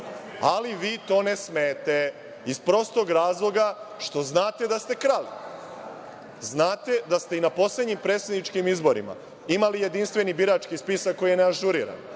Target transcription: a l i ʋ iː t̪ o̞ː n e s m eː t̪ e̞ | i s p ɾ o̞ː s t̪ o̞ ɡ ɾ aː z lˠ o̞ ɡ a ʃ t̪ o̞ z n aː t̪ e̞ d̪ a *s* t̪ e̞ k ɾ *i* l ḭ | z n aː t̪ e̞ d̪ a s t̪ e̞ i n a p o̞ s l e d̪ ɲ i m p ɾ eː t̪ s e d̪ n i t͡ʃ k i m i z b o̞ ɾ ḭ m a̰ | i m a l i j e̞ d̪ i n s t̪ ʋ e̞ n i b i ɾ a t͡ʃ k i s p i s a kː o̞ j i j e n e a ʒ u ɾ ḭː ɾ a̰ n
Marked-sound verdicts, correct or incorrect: correct, incorrect: a

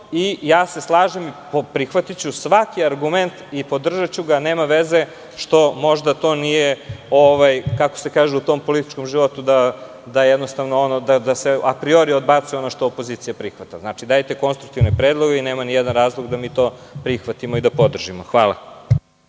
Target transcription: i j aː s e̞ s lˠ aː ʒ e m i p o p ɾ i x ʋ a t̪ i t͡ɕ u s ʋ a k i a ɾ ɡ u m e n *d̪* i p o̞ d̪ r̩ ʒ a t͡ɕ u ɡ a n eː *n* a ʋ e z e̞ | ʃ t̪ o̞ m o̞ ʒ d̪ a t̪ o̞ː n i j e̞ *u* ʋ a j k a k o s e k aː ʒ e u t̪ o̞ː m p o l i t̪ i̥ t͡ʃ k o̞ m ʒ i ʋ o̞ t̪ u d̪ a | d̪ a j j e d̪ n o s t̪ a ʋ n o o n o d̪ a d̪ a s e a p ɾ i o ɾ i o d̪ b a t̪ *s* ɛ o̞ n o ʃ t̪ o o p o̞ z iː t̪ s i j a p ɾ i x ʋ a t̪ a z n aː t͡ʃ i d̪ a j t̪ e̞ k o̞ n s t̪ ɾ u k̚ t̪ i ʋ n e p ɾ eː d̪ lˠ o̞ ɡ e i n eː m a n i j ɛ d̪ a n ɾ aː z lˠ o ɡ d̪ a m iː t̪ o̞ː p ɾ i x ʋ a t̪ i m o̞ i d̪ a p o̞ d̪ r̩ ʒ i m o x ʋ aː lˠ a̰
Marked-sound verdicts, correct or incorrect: incorrect: t̪, incorrect: m, incorrect: o, correct

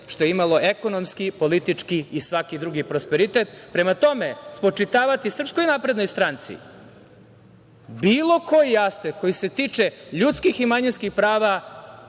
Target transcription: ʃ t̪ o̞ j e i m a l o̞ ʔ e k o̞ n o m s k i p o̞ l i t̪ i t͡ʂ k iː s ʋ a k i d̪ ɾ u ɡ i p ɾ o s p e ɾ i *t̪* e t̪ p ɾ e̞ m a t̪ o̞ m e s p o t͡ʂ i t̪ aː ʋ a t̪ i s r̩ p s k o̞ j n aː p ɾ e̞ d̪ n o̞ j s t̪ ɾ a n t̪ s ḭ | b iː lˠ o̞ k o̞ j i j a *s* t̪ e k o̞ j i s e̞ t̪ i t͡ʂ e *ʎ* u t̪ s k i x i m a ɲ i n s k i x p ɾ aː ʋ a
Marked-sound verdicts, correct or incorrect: correct, correct, correct

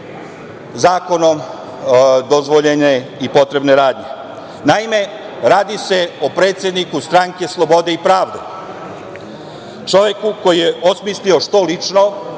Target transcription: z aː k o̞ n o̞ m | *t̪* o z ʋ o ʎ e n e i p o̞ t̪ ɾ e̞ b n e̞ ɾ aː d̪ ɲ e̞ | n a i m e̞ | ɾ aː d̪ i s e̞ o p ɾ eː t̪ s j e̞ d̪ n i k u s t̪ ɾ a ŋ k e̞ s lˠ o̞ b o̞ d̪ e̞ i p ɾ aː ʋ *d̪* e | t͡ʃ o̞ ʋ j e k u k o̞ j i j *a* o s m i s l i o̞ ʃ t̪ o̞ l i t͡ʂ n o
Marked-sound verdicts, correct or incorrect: incorrect: d̪, correct, incorrect: e

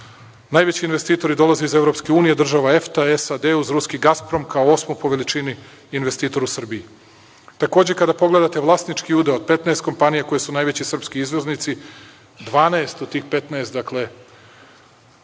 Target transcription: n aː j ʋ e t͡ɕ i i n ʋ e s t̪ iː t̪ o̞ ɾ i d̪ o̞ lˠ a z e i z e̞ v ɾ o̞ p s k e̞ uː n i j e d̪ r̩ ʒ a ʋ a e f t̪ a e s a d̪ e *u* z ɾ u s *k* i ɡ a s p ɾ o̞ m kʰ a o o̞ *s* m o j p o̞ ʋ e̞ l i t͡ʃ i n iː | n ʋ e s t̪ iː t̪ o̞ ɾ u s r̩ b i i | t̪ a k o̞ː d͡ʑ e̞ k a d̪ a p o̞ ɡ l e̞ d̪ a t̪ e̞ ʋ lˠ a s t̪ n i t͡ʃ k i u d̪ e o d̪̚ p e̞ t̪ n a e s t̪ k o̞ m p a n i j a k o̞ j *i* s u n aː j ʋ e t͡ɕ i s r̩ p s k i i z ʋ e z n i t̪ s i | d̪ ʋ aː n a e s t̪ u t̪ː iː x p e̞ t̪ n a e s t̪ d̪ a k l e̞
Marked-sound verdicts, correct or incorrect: correct, correct, correct, incorrect: e

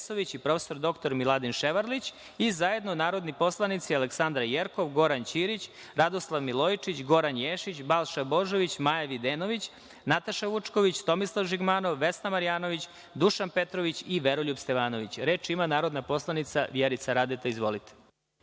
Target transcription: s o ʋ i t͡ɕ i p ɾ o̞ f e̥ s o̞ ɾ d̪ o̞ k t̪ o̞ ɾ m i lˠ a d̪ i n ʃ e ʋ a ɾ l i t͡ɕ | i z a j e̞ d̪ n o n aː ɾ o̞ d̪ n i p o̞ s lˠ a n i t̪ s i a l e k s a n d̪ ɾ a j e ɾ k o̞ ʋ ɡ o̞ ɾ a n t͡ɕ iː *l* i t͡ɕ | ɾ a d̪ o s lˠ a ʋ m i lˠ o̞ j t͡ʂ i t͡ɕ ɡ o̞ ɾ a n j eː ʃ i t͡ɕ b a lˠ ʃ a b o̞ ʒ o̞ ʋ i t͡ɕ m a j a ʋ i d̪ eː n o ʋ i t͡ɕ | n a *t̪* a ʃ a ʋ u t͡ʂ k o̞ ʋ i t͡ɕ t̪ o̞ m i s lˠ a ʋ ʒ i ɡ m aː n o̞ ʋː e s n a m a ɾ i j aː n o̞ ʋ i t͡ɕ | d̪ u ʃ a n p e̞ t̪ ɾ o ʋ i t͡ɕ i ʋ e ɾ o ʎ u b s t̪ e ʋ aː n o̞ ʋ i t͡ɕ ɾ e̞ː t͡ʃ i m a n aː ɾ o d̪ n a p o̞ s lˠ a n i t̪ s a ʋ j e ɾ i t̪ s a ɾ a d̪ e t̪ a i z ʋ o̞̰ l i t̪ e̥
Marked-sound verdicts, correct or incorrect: incorrect: ɾ, correct

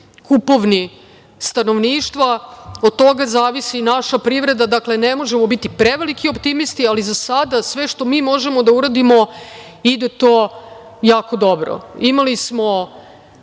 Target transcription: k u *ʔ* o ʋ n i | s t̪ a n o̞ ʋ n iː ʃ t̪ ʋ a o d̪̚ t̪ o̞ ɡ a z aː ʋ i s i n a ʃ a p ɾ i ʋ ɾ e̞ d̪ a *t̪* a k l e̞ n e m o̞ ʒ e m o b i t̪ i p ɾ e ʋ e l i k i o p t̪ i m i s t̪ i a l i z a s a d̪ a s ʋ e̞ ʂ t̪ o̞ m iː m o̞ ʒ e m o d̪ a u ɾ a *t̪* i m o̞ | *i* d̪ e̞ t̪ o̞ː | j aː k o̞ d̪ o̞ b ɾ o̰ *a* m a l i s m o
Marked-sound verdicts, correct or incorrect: incorrect: p, incorrect: d̪, incorrect: d̪, correct, incorrect: i

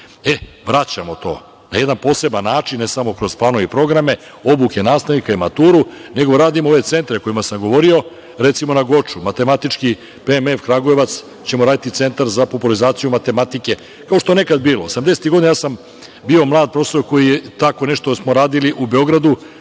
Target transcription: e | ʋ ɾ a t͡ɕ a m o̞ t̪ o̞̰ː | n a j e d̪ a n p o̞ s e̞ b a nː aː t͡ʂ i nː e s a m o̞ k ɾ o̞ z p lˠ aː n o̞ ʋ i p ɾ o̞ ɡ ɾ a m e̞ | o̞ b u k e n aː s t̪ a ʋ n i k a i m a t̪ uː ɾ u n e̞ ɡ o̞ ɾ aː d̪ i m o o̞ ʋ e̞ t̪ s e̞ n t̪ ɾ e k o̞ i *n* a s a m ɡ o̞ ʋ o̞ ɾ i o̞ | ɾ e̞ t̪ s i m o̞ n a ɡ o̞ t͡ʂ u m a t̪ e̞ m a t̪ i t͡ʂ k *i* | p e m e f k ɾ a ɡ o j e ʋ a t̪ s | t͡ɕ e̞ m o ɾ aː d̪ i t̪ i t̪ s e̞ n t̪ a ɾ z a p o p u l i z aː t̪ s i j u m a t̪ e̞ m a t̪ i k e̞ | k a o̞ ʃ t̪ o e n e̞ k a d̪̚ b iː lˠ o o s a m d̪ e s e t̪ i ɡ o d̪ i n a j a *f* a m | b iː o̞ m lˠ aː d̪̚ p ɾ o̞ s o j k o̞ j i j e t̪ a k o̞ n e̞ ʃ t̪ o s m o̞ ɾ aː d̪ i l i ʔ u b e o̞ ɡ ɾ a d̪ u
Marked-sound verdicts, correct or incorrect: incorrect: m, correct, incorrect: s

